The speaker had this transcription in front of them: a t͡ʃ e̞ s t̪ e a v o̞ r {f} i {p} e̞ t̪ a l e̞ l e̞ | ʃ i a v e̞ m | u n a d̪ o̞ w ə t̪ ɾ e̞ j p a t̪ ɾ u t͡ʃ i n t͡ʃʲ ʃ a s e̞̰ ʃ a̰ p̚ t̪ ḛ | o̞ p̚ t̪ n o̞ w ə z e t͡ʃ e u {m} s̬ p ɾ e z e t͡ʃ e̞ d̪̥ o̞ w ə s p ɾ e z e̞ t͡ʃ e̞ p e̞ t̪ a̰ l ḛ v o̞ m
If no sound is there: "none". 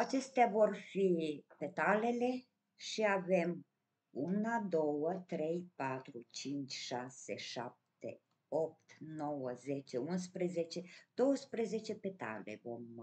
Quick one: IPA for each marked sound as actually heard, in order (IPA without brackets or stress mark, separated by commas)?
f, p, n